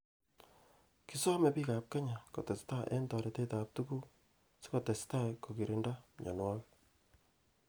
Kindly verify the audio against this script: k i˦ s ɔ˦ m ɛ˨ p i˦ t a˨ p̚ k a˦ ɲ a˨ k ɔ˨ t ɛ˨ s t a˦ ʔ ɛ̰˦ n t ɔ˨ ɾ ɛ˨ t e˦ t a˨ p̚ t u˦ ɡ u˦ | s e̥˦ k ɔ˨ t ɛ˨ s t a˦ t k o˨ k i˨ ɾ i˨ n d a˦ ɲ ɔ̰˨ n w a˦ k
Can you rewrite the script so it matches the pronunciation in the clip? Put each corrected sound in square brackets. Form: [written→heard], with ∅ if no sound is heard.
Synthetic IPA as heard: k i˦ s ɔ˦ m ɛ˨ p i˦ [t→k] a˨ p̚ k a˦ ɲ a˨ k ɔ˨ t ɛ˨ s t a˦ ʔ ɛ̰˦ n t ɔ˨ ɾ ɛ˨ t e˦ t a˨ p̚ t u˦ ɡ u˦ | s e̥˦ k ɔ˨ t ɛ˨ s t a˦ [t→∅] k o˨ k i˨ ɾ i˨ n d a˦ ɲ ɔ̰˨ n w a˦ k